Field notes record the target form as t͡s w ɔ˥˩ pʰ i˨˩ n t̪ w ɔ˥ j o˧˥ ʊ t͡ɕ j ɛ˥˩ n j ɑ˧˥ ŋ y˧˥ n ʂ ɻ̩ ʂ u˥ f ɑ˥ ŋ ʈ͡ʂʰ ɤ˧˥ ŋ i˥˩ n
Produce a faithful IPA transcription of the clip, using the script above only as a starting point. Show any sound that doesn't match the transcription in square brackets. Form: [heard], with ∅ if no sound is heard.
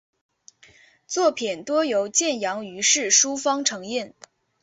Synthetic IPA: t͡s w ɔ˥˩ pʰ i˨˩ n t̪ w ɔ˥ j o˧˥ ʊ t͡ɕ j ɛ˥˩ n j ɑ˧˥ ŋ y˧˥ [∅] ʂ ɻ̩ ʂ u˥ f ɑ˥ ŋ ʈ͡ʂʰ ɤ˧˥ ŋ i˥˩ n